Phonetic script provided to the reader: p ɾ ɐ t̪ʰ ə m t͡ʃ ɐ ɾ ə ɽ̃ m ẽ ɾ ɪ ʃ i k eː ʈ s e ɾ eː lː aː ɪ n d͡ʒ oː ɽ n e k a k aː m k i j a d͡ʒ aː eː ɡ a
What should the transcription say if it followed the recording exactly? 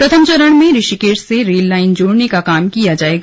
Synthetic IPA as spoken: p ɾ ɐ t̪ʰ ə m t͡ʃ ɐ ɾ ə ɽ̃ m ẽ ɾ ɪ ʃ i k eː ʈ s e ɾ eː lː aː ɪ n d͡ʒ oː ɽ n e k a k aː m k i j a d͡ʒ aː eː ɡ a